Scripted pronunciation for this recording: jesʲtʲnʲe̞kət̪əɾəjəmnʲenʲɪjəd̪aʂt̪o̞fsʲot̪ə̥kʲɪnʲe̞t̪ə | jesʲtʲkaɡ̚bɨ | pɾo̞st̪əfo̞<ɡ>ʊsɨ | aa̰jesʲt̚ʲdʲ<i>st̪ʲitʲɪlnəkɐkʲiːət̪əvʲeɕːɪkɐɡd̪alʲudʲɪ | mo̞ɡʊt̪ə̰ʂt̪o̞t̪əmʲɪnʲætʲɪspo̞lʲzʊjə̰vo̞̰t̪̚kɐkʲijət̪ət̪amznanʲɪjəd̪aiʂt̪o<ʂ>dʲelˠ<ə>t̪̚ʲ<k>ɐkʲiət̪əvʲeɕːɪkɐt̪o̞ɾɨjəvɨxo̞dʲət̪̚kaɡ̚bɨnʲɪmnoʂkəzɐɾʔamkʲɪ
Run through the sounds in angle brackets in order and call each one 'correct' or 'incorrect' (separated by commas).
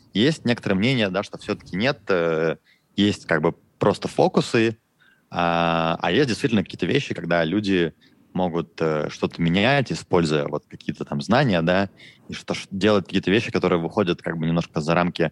incorrect, incorrect, correct, correct, correct